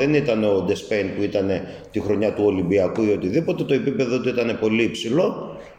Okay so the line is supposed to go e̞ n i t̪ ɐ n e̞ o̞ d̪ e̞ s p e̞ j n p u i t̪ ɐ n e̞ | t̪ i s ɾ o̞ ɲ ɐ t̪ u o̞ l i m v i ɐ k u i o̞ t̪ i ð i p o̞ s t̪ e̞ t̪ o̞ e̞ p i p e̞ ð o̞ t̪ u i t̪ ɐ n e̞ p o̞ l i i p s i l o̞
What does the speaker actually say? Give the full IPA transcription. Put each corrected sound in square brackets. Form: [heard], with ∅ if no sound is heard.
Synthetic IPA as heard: e̞ n i t̪ ɐ n e̞ o̞ d̪ e̞ s p e̞ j n p u i t̪ ɐ n e̞ | t̪ i [x] ɾ o̞ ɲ ɐ t̪ u o̞ l i m [b] i ɐ k u i o̞ t̪ i ð i p o̞ [∅] t̪ e̞ t̪ o̞ e̞ p i p e̞ ð o̞ t̪ u i t̪ ɐ n e̞ p o̞ l i i p s i l o̞